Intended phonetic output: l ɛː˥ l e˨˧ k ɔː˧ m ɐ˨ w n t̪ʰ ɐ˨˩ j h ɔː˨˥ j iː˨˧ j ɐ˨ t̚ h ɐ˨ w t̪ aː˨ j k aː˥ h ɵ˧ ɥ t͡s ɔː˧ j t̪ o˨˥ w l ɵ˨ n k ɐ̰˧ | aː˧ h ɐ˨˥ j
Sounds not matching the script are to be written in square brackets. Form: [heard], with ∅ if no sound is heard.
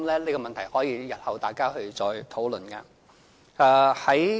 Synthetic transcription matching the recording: l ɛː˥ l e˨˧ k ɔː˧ m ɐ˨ [∅] n t̪ʰ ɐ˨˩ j h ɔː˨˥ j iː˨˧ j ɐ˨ t̚ h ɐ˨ w t̪ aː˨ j k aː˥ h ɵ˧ ɥ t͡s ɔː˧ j [t̪ʰ] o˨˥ w l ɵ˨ n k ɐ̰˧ | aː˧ h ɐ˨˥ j